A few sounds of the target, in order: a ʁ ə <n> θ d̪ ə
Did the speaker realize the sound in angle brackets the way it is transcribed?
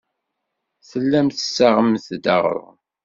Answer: no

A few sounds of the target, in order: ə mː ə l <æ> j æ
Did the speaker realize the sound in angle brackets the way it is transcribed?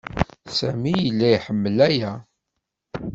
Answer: yes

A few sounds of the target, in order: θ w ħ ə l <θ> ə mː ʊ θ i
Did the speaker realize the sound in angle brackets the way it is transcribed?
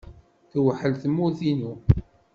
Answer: yes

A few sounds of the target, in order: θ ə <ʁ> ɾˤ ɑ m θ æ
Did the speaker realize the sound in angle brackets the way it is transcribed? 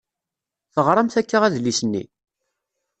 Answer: yes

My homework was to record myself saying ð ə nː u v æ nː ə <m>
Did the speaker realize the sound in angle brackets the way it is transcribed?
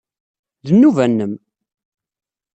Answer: yes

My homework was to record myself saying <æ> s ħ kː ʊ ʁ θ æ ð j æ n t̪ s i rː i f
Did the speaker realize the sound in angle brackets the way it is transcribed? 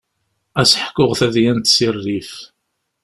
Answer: yes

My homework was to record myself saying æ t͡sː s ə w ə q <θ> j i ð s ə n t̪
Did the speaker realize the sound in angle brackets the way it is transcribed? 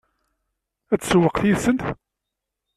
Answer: yes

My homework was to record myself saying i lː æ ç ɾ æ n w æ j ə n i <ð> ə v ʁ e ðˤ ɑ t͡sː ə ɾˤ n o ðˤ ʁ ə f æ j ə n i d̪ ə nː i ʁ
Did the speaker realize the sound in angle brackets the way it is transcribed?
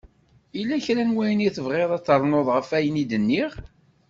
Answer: no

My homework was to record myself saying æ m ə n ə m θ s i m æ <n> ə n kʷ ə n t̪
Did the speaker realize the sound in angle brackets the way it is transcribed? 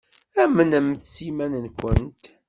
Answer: yes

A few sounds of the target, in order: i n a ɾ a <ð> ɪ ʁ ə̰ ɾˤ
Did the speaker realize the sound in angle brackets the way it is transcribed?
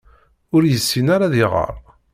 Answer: yes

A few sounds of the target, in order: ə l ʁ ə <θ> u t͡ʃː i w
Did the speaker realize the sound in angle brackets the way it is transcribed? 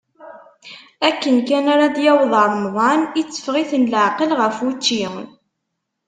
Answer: no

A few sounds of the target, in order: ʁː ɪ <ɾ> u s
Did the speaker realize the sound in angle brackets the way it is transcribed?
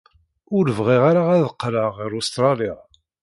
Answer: yes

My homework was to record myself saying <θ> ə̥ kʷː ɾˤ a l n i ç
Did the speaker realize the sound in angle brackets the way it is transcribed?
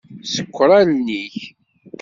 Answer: no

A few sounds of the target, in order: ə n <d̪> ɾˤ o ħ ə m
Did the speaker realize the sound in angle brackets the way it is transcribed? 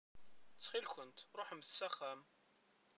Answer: no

